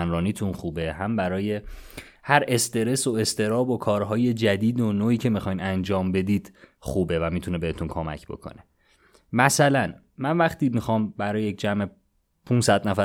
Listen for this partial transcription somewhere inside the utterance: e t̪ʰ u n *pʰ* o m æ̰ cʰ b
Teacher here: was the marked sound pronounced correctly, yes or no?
no